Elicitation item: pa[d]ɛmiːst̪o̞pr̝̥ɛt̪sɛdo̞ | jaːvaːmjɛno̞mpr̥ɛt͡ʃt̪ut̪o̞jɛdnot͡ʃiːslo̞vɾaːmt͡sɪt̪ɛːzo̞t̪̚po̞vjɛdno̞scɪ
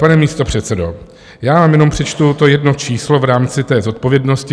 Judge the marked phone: incorrect: n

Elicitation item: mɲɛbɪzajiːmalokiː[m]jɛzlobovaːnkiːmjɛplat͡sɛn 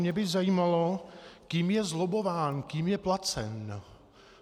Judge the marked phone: correct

